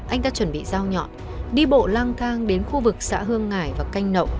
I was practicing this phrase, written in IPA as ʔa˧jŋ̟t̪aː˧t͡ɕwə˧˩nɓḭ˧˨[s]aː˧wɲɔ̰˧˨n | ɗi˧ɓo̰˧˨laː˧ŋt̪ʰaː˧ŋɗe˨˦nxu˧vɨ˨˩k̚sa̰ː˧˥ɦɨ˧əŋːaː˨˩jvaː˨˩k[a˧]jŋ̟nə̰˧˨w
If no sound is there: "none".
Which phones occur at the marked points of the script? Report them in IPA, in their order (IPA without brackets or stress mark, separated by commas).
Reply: z, a˧